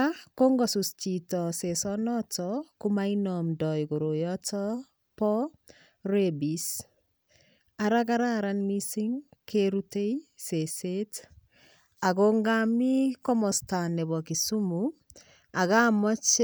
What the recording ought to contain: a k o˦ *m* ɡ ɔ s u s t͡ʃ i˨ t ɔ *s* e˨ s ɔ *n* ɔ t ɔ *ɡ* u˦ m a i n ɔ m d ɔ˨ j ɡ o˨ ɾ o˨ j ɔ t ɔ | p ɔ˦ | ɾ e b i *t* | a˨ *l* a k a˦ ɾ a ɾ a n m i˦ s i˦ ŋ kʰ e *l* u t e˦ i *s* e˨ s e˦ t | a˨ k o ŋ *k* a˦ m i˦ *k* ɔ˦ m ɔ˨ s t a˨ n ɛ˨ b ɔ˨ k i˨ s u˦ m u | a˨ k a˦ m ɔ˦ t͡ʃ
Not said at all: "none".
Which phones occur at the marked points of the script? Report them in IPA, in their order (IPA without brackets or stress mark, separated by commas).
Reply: ŋ, s, n, k, s, ɾ, ɾ, s, ɡ, k